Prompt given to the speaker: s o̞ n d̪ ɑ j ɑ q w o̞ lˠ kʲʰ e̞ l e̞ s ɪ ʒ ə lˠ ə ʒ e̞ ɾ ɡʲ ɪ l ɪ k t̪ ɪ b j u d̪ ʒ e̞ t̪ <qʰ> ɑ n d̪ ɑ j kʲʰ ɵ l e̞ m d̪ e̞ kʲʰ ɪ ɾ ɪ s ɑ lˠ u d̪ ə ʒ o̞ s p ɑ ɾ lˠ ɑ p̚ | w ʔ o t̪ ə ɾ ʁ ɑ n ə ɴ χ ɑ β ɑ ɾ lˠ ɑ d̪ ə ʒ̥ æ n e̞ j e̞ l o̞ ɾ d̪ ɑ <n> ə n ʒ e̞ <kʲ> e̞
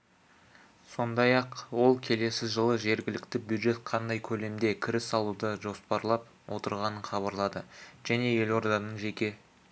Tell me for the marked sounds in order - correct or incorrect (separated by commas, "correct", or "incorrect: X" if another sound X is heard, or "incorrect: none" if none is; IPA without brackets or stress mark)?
correct, correct, correct